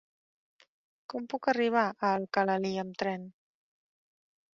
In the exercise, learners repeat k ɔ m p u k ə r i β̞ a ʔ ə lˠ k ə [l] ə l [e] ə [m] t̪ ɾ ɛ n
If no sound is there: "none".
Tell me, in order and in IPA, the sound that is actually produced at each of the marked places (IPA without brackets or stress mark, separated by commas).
l, i, m